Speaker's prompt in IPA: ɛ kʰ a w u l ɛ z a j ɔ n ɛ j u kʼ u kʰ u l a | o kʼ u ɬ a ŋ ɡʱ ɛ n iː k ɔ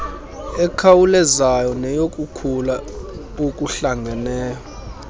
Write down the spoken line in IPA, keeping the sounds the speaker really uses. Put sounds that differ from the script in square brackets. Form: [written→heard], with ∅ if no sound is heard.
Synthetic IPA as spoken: ɛ kʰ a w u l ɛ z a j ɔ n ɛ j [u→o] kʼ u kʰ u l a | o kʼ u ɬ a ŋ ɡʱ ɛ n [iː→ɛː] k ɔ